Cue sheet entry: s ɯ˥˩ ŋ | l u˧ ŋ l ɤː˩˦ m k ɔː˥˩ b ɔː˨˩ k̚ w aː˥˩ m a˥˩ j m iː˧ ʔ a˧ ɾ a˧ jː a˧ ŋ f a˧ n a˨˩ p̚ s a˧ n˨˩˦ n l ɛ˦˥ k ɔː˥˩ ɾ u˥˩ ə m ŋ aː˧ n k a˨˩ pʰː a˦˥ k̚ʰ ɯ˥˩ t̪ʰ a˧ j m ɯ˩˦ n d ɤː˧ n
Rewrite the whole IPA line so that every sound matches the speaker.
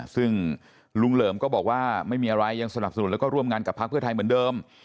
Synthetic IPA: s ɯ˥˩ ŋ | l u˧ ŋ l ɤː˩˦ m k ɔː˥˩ b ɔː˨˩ k̚ w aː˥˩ m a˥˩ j m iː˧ ʔ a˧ ɾ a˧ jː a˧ ŋ s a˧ n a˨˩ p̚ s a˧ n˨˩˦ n l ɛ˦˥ k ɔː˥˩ ɾ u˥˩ ə m ŋ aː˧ n k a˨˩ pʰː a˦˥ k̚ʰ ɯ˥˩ t̪ʰ a˧ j m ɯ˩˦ n d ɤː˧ m